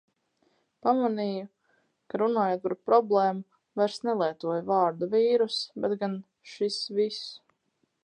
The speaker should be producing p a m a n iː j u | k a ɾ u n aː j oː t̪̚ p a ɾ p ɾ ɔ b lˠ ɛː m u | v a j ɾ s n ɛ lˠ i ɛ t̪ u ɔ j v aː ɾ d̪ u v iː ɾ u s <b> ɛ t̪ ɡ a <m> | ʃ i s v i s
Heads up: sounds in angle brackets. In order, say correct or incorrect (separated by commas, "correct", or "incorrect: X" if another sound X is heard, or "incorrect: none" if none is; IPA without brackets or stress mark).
correct, incorrect: n